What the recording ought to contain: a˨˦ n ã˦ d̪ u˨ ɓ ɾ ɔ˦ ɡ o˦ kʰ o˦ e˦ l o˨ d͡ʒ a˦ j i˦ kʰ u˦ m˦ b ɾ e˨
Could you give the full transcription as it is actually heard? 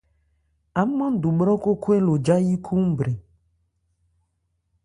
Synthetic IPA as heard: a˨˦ m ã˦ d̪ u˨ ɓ ɾ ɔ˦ k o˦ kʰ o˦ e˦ l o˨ d͡ʒ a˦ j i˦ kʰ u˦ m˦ b ɾ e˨